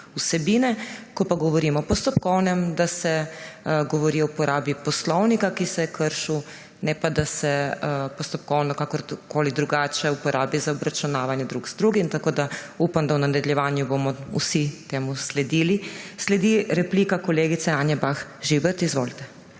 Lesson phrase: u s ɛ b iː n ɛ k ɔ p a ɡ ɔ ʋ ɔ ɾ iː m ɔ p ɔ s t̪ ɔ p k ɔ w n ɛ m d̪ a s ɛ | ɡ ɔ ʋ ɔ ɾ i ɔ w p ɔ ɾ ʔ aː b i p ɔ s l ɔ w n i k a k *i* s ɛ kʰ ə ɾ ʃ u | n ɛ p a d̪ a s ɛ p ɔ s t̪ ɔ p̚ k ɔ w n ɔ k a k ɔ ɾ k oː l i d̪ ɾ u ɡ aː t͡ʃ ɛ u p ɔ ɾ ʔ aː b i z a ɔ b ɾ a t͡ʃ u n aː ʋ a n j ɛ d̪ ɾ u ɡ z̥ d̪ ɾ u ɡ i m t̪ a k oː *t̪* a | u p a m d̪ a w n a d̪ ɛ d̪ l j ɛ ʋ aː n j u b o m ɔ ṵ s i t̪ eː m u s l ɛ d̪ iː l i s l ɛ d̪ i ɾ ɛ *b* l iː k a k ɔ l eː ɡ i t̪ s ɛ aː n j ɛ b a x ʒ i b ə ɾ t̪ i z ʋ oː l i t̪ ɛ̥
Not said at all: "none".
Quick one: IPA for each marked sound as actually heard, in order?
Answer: i, d̪, p

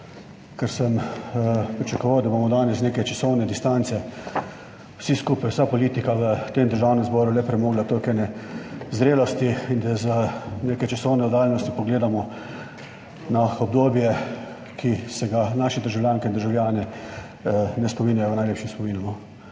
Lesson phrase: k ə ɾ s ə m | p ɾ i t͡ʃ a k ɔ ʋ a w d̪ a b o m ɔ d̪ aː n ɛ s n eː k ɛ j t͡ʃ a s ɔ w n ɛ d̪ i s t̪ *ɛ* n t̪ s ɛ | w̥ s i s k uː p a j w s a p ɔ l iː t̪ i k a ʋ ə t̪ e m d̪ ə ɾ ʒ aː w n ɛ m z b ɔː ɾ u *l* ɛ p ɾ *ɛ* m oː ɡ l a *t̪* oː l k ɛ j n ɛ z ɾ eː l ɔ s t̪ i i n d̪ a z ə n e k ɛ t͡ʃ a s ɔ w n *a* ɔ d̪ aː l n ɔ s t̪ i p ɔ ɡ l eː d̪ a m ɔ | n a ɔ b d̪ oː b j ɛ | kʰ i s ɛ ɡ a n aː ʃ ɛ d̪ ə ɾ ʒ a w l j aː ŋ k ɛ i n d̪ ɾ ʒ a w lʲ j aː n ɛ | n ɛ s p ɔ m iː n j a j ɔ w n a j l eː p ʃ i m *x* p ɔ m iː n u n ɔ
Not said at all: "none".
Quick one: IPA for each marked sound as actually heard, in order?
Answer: a, l, ɛ, t̪, ɛ, s

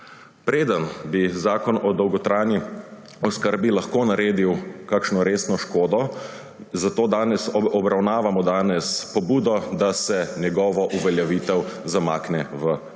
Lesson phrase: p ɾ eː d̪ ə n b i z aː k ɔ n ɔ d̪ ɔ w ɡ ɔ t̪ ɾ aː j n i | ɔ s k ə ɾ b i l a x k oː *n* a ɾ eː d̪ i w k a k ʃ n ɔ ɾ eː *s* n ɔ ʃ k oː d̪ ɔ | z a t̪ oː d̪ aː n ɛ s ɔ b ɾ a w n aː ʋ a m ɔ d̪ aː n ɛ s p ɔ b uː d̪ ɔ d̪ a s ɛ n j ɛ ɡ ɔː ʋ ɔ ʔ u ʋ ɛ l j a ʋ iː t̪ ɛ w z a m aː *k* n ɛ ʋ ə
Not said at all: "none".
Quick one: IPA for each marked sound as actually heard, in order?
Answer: n, s, k

